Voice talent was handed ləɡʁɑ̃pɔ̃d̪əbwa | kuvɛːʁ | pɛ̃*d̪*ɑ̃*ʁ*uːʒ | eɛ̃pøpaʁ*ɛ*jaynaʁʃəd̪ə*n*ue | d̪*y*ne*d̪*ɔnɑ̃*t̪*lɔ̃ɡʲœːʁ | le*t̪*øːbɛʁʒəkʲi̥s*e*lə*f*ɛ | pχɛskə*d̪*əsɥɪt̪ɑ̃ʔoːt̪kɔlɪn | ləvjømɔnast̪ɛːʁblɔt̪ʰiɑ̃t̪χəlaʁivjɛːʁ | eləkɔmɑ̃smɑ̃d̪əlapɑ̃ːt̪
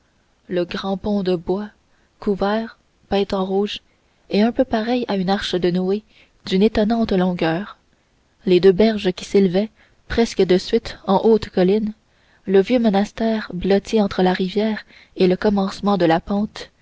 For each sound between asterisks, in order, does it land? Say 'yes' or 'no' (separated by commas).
no, yes, yes, yes, yes, no, yes, no, yes, no, yes